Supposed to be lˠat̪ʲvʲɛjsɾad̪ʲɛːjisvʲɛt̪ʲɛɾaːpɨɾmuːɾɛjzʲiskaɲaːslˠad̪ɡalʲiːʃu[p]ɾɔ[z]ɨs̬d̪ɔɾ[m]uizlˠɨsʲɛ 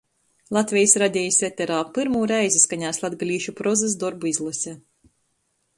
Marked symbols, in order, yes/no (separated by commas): yes, yes, no